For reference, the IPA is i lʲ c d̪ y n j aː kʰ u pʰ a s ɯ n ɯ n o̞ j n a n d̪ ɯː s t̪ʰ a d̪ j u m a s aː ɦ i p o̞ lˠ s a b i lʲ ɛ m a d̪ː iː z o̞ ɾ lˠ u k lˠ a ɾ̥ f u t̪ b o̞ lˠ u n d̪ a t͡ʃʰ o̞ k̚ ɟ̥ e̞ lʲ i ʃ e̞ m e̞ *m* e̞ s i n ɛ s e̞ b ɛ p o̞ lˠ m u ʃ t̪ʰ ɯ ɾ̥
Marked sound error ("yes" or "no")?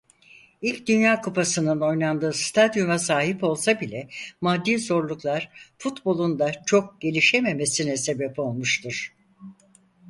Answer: no